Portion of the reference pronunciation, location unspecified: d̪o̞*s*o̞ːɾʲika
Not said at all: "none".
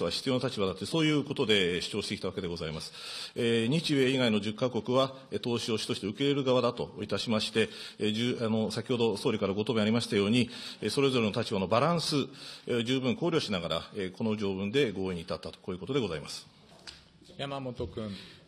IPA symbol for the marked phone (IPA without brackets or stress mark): s